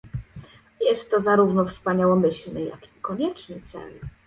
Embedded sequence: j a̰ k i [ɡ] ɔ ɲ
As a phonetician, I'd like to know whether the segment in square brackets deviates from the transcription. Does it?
yes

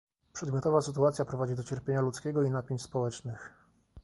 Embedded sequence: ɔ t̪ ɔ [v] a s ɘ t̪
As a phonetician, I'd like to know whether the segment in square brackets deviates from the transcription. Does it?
no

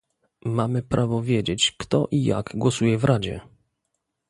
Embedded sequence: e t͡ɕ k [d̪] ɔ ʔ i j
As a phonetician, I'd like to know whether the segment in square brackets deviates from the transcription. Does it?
yes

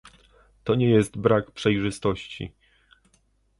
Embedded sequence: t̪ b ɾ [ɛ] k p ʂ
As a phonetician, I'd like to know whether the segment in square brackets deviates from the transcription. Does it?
yes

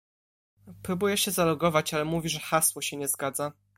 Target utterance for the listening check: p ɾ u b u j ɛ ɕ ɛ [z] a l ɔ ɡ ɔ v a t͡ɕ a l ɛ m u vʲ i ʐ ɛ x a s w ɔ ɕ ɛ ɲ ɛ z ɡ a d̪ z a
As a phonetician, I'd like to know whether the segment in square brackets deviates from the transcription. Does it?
no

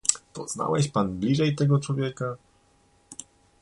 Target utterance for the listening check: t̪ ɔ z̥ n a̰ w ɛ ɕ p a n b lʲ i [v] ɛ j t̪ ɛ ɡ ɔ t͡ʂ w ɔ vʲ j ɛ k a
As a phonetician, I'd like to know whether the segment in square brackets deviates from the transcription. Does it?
yes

